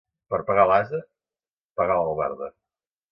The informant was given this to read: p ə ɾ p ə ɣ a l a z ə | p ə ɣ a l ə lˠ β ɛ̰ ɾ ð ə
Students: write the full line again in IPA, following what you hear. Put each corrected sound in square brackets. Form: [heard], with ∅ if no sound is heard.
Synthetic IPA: p ə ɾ p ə ɣ a l a z ə | p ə ɣ a l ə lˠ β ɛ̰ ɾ ð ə